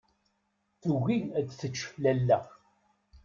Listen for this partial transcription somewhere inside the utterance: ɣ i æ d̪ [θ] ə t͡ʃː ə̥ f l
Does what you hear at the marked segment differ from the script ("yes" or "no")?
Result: no